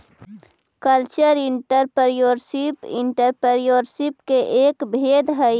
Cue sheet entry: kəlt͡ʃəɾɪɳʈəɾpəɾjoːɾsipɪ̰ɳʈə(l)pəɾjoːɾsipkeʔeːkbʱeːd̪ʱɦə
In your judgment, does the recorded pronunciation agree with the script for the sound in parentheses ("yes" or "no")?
no